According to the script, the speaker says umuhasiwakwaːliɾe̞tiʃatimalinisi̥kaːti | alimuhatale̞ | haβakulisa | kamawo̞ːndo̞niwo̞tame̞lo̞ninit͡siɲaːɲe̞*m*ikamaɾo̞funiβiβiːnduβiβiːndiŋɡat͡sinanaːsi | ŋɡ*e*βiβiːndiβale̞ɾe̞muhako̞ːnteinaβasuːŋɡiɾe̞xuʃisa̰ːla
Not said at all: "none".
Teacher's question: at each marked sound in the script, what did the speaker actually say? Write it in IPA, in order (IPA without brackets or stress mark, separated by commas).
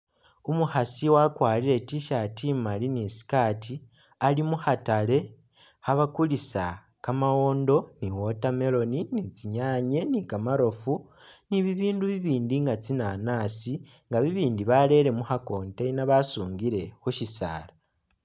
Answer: n, a